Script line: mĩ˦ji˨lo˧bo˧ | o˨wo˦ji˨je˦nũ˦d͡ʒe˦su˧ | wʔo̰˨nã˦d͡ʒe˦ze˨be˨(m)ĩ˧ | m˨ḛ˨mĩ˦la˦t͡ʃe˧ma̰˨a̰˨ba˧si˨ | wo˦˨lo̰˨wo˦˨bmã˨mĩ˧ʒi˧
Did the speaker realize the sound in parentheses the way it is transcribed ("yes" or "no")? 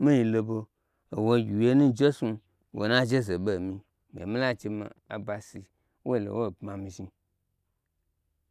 yes